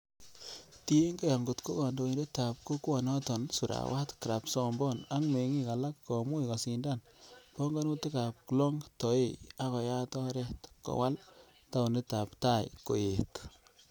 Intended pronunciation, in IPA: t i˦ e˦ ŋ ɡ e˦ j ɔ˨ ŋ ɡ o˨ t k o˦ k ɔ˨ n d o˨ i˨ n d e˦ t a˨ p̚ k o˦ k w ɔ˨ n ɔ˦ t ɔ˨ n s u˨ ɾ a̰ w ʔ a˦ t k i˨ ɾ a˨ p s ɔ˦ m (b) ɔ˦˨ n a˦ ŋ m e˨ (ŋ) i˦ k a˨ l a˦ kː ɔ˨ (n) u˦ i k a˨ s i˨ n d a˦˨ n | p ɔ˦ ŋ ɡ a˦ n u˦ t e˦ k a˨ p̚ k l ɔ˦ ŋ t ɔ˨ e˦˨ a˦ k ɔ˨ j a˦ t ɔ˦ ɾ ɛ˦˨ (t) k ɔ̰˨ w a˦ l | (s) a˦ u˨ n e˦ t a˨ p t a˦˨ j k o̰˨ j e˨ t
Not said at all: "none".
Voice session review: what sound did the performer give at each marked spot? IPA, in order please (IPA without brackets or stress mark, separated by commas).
b, ŋ, m, t, t